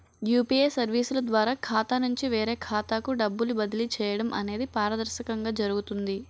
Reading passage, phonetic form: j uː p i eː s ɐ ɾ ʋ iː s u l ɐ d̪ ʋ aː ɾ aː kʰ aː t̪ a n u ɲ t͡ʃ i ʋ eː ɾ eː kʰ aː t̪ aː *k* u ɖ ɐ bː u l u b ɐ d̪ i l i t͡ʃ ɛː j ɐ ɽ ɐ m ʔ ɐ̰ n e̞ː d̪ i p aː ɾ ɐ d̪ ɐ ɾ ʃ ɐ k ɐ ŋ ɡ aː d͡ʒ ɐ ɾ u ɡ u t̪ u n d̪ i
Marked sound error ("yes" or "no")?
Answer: no